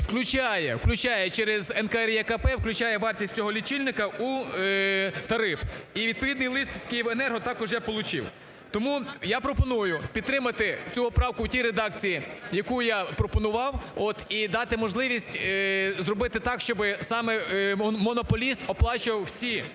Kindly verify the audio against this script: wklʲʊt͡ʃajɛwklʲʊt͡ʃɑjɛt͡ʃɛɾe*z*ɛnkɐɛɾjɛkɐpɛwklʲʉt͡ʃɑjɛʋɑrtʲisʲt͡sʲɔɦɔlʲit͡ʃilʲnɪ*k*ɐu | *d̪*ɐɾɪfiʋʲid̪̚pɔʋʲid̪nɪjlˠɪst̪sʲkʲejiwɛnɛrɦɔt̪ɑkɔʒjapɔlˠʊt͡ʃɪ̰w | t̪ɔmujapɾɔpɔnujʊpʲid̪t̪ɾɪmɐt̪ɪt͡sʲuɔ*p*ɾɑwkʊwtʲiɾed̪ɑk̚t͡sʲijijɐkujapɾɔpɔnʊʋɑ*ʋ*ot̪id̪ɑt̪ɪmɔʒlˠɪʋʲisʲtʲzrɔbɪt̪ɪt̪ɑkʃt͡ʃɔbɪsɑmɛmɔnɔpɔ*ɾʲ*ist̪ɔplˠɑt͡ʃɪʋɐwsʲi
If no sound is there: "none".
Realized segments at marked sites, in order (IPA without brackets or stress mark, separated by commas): z, k, t̪, p, w, lʲ